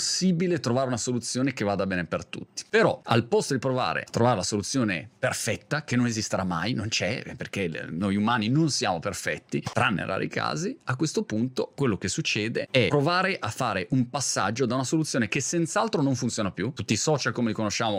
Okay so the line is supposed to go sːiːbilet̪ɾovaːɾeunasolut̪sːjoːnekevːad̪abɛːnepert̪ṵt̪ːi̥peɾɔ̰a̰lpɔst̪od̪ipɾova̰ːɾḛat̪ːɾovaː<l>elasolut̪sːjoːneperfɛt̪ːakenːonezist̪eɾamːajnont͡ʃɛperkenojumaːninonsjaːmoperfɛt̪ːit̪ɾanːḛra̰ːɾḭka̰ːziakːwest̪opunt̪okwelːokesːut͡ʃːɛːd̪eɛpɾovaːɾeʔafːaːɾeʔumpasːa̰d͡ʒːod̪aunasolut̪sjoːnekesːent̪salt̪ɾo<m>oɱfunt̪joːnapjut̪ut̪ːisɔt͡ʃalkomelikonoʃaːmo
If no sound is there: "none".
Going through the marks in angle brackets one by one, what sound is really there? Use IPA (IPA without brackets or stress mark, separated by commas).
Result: ɾ, n